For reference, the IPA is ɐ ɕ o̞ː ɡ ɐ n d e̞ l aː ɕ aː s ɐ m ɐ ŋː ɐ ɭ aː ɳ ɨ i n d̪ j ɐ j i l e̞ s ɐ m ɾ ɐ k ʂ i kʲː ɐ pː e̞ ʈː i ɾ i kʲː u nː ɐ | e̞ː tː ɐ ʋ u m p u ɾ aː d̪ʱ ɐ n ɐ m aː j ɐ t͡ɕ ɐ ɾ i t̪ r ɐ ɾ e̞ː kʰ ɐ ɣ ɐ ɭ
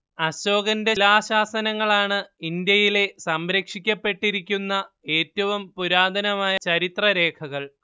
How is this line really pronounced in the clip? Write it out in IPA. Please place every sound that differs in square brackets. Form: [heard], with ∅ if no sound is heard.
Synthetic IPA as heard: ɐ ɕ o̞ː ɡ ɐ n d e̞ l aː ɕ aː s ɐ [n] ɐ ŋː ɐ ɭ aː ɳ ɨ i n d̪ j ɐ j i l e̞ s ɐ m ɾ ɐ k ʂ i kʲː ɐ pː e̞ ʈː i ɾ i kʲː u nː ɐ | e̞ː tː ɐ ʋ u m p u ɾ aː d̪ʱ ɐ n ɐ m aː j ɐ t͡ɕ ɐ ɾ i t̪ r ɐ ɾ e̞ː kʰ ɐ ɣ ɐ ɭ